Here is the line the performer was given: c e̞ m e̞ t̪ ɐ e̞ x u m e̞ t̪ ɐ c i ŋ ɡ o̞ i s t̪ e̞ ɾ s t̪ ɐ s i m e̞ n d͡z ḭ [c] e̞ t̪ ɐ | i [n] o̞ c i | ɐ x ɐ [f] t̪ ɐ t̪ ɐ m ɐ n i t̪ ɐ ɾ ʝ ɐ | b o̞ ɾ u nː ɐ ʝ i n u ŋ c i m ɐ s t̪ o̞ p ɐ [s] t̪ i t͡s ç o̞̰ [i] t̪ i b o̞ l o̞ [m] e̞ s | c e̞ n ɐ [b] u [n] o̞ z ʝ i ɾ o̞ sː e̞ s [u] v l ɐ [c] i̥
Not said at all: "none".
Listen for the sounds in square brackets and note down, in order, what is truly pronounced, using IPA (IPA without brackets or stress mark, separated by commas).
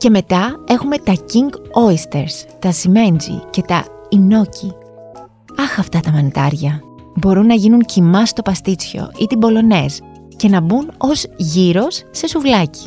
c, n, f, s, i, n, b, n, u, c